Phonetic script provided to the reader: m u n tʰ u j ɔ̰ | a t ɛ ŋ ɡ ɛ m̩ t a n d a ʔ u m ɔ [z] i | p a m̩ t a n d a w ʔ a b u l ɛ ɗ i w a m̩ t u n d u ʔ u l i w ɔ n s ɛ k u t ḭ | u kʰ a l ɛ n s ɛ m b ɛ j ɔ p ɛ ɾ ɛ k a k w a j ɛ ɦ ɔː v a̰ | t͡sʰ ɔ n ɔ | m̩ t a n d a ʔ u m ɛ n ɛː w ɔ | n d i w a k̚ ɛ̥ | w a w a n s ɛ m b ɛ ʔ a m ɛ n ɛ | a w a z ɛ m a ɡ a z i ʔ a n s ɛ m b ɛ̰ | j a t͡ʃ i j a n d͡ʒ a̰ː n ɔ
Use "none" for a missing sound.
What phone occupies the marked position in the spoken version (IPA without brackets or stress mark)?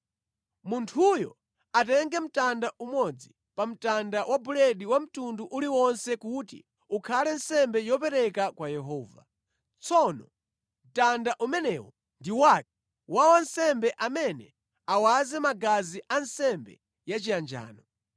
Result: d͡z